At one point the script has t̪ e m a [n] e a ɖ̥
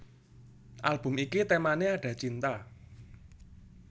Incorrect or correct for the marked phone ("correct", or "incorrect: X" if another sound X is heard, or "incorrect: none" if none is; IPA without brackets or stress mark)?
correct